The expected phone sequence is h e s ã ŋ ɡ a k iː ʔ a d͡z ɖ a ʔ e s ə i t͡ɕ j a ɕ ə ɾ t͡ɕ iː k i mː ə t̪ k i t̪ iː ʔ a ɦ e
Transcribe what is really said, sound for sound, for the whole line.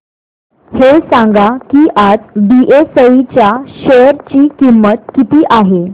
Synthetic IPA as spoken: h e s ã ŋ ɡ a k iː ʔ a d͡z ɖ i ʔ e s ə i t͡ɕ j a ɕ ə ɾ t͡ɕ iː k i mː ə t̪ k i t̪ iː ʔ a ɦ e